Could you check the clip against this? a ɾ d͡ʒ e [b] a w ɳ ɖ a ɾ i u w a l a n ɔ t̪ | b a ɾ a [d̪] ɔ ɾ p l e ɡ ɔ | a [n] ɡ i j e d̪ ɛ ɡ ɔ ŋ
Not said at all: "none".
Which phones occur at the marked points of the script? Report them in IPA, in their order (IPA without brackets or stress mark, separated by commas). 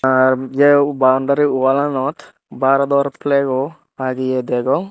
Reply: b, d̪, none